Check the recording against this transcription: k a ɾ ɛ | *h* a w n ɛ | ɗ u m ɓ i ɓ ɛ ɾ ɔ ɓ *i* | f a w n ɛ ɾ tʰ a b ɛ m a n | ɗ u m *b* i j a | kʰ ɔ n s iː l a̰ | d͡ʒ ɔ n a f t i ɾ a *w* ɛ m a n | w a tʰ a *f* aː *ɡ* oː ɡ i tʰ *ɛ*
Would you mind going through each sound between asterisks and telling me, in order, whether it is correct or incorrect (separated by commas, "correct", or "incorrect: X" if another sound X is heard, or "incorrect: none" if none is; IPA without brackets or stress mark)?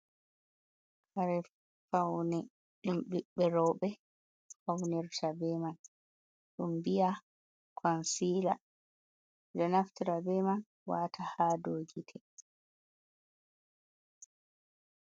incorrect: f, incorrect: ɛ, correct, incorrect: b, incorrect: h, incorrect: d, correct